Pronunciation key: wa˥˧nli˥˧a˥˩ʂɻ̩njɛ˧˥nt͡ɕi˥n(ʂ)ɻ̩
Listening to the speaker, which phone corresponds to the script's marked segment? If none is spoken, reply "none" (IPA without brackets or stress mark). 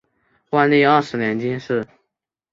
ʂ